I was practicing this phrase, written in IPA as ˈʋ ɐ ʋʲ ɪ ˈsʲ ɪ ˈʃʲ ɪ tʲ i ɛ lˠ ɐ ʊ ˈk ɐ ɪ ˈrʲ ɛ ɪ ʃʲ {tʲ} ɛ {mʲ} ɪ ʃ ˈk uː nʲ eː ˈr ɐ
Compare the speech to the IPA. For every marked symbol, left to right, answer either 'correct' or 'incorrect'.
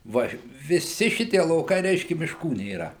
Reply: incorrect: kʲ, correct

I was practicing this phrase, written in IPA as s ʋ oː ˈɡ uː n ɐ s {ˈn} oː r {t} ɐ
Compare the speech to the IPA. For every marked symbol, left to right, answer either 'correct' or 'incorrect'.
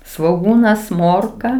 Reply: incorrect: m, incorrect: k

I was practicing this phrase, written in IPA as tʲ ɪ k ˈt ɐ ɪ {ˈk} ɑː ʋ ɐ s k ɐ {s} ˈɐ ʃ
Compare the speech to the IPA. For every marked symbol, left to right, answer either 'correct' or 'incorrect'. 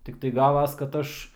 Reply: incorrect: ɡ, incorrect: t

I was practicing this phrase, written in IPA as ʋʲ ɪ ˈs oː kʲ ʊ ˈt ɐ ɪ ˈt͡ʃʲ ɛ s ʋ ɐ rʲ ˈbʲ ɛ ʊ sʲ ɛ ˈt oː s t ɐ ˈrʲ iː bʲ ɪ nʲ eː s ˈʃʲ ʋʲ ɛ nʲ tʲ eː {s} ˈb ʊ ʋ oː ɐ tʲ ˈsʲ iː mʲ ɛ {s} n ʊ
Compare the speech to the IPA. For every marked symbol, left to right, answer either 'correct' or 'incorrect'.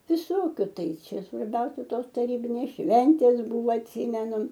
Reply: correct, incorrect: none

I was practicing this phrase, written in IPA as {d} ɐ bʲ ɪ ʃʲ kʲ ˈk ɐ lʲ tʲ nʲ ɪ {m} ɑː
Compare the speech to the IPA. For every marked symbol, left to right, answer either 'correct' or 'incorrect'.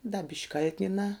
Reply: correct, incorrect: n

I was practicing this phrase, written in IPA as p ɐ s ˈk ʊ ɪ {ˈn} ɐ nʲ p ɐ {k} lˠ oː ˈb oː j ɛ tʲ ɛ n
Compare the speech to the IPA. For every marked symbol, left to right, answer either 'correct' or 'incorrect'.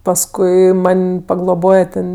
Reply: incorrect: m, incorrect: ɡ

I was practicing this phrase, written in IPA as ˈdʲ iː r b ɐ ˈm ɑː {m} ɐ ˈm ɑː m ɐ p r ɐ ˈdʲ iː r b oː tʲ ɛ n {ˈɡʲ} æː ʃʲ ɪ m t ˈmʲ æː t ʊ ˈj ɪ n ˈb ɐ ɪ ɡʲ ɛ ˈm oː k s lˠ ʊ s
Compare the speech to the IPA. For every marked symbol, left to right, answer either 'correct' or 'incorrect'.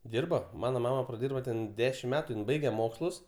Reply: incorrect: n, incorrect: dʲ

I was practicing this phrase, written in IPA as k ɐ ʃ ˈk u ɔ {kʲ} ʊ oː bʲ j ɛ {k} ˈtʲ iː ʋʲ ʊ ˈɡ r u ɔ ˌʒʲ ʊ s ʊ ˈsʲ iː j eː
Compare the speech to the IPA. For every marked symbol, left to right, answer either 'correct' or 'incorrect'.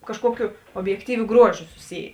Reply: correct, correct

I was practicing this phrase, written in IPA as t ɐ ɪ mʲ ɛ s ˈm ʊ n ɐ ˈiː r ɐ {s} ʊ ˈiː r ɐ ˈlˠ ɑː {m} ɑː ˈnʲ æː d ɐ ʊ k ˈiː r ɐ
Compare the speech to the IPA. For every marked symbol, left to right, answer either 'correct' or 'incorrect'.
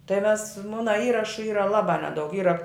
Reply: incorrect: ʃ, incorrect: b

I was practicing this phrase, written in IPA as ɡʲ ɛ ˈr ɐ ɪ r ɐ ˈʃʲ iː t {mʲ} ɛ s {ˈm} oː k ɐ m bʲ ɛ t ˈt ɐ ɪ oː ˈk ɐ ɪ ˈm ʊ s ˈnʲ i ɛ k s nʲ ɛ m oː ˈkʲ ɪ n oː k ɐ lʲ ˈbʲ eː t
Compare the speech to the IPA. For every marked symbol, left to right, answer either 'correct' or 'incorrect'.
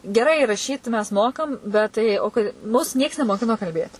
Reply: correct, correct

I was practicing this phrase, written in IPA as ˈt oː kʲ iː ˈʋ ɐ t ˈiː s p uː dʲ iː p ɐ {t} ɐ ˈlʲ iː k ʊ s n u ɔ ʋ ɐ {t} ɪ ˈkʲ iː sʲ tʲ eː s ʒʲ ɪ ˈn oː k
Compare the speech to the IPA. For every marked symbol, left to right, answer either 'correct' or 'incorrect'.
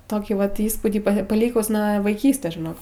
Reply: incorrect: p, incorrect: none

